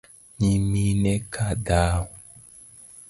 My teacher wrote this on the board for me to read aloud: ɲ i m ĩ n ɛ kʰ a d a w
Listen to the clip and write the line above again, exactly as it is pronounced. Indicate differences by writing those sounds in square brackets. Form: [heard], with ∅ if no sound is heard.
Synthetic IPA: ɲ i m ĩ n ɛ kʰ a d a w